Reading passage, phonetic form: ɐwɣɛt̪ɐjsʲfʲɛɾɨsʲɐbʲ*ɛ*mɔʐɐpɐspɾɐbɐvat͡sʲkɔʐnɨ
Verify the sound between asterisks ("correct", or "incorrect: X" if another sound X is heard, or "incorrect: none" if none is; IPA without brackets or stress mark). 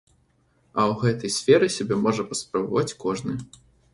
correct